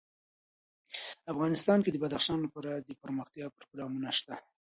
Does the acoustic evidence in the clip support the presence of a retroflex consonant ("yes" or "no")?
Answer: no